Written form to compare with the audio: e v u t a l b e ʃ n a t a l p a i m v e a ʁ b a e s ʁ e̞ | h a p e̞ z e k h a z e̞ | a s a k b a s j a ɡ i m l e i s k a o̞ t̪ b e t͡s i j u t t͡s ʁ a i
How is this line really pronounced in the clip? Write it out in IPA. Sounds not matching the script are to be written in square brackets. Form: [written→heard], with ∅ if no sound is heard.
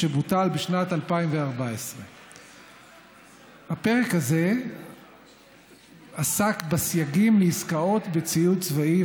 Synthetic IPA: e [v→b] u t a l b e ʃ n a t a l p a i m v e a ʁ b a e s ʁ e̞ | h a p e̞ [z→ʁ] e k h a z e̞ | a s a k b a s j a ɡ i m l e i s k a o̞ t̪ b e t͡s i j u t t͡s [ʁ→v] a i